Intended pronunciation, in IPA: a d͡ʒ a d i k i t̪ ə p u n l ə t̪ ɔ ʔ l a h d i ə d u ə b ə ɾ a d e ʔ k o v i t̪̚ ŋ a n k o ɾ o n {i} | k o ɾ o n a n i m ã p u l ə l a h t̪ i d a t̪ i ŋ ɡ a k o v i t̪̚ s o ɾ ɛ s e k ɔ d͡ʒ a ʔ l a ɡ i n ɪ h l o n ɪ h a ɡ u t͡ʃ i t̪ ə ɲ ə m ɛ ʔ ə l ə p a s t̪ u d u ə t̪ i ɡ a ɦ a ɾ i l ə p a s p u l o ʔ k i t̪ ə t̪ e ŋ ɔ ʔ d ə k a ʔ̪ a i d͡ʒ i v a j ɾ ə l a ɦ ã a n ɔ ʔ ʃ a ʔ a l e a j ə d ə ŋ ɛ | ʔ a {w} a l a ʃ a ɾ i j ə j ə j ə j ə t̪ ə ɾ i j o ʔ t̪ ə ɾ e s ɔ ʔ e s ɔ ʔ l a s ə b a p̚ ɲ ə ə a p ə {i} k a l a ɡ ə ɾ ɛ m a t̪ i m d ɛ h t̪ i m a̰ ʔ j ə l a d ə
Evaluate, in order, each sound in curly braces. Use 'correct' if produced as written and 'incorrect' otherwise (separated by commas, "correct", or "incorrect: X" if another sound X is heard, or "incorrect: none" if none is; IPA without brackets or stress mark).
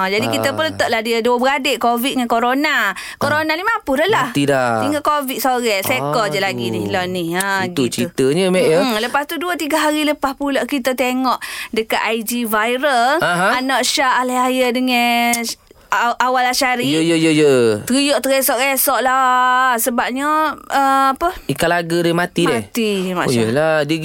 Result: incorrect: a, correct, correct